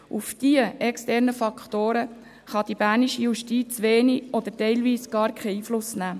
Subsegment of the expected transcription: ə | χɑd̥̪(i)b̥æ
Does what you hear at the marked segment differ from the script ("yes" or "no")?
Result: no